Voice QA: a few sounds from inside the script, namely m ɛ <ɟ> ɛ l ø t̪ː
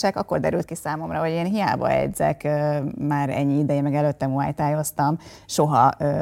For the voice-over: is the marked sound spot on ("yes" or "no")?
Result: no